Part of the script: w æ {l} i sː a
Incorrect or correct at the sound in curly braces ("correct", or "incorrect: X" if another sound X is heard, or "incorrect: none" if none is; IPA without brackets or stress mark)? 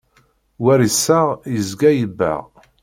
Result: incorrect: ɾ